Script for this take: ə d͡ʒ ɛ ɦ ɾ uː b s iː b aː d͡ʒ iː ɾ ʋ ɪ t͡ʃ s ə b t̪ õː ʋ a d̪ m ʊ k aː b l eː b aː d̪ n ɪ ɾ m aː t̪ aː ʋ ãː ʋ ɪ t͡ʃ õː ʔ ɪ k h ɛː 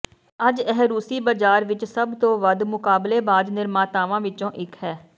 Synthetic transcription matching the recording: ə d͡ʒ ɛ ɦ ɾ uː s iː b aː d͡ʒ aː ɾ ʋ ɪ t͡ʃ s ə b t̪ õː ʋ ə d̪ m ʊ k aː b l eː b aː d̪ n ɪ ɾ m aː t̪ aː ʋ ãː ʋ ɪ t͡ʃ õː ʔ ɪ k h ɛː

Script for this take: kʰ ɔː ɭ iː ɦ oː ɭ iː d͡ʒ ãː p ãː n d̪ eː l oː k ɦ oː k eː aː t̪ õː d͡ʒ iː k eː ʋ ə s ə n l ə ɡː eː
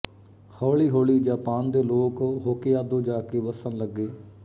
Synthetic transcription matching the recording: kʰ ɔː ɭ iː ɦ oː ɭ iː d͡ʒ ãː p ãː n d̪ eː l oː k ɦ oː k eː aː d̪ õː d͡ʒ aː k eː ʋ ə s ə n l ə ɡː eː

